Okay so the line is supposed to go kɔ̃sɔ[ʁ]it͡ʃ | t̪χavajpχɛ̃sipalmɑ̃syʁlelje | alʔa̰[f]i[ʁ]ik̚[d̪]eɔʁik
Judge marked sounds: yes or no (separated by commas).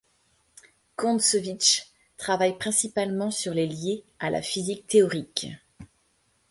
no, yes, no, no